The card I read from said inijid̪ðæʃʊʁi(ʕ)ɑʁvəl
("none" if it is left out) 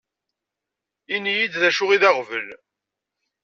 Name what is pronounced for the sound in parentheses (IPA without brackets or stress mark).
ð